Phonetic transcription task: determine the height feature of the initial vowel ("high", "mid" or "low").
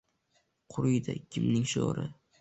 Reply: high